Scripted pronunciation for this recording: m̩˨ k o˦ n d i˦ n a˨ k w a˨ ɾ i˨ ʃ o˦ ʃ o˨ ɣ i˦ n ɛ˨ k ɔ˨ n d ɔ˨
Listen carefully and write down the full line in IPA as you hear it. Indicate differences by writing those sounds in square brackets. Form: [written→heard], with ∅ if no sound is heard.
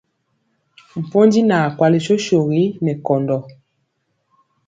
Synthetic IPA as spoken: m̩˨ [k→p] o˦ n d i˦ n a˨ k w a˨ [ɾ→l] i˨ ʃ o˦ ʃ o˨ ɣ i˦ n ɛ˨ k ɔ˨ n d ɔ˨